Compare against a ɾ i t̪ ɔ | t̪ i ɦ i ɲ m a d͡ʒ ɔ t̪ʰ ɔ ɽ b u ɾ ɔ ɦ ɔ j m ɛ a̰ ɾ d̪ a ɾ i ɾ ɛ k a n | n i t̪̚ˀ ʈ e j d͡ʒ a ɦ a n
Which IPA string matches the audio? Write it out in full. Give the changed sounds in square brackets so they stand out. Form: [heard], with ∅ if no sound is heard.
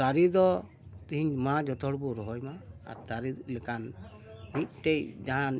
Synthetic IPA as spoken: a ɾ i [d̪] ɔ | t̪ i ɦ i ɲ m a d͡ʒ ɔ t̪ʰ ɔ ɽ b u ɾ ɔ ɦ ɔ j m [a] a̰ ɾ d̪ a ɾ i [l] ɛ k a n | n i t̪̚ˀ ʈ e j d͡ʒ a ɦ a n